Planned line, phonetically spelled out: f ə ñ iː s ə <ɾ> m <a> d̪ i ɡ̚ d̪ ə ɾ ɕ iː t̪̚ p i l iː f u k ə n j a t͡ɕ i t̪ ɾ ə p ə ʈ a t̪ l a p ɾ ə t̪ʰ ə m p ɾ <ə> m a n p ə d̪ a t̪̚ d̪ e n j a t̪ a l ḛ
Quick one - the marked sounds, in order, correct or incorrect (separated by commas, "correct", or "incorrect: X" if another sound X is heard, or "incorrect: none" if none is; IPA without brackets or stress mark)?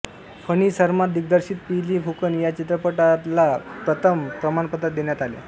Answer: correct, correct, correct